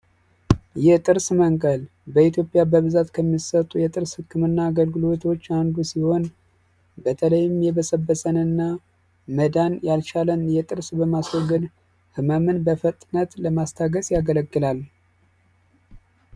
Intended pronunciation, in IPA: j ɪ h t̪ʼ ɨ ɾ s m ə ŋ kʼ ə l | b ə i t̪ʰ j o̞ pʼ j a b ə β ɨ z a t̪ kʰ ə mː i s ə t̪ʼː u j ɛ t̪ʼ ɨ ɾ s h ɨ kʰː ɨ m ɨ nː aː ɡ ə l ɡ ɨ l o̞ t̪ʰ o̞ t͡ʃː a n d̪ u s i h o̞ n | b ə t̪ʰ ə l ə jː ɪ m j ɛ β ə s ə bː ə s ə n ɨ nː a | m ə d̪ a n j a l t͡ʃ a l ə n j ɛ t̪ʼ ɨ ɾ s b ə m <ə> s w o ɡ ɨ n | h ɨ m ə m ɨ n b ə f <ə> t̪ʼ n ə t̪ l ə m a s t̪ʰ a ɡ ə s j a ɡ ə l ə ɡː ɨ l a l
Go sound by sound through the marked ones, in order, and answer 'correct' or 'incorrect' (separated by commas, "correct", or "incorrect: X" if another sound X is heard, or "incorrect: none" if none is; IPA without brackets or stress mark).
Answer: incorrect: a, correct